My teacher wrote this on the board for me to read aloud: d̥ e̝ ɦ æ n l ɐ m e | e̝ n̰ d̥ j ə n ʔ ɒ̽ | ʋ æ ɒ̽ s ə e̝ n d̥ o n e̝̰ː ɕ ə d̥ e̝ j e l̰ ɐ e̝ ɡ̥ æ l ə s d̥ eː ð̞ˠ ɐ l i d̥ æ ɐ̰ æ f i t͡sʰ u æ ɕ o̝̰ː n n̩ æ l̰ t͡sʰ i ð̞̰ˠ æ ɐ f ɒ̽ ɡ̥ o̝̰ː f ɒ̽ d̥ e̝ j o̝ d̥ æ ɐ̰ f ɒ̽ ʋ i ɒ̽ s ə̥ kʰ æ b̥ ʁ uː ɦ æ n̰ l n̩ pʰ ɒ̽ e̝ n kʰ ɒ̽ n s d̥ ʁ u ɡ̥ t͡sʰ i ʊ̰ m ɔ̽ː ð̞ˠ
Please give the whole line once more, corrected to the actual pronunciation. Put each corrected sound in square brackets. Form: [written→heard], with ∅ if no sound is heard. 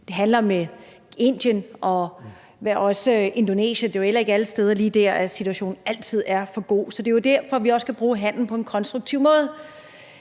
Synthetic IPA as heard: d̥ e̝ ɦ æ n l ɐ m e | e̝ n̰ d̥ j ə n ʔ ɒ̽ | ʋ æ ɒ̽ s ə e̝ n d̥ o n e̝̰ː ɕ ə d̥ e̝ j e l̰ ɐ e̝ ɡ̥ æ l ə s d̥ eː ð̞ˠ ɐ l [i→iː] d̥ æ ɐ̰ æ [f→s] i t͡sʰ u æ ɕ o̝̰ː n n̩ æ l̰ t͡sʰ i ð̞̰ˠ æ ɐ f ɒ̽ ɡ̥ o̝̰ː [f→s] ɒ̽ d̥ e̝ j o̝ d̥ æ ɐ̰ f ɒ̽ ʋ i ɒ̽ s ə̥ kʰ æ b̥ ʁ uː ɦ æ n̰ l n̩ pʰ ɒ̽ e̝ n kʰ ɒ̽ n s d̥ ʁ u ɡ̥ t͡sʰ i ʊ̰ m ɔ̽ː ð̞ˠ